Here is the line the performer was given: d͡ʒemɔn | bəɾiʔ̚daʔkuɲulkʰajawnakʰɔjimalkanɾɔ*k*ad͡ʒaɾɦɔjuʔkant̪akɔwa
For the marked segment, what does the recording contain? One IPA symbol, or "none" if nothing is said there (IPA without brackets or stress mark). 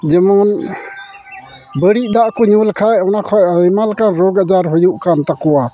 ɡ